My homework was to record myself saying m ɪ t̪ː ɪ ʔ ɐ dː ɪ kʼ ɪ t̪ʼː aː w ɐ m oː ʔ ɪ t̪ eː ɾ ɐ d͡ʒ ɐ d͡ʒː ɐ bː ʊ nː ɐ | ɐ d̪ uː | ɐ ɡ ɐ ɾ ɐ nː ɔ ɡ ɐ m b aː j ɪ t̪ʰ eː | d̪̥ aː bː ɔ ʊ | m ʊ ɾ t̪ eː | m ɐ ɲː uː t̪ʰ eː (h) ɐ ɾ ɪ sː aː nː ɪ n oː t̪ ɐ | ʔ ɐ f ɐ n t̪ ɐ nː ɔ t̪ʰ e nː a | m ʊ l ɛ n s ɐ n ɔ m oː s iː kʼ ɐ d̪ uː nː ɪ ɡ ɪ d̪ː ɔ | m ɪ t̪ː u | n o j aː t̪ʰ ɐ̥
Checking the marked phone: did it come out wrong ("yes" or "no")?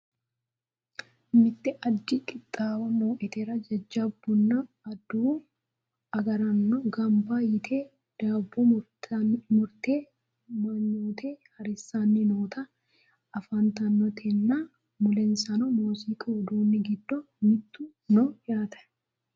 no